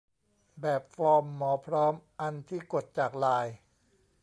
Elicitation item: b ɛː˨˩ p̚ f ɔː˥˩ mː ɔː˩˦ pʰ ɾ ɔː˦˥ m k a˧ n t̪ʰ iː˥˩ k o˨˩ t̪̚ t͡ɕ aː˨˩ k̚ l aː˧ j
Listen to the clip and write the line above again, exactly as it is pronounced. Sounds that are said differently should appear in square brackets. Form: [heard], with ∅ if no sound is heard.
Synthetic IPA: b ɛː˨˩ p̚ f [ɔː˧] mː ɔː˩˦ pʰ ɾ ɔː˦˥ m [ʔ] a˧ n t̪ʰ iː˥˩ k o˨˩ t̪̚ t͡ɕ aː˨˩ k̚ l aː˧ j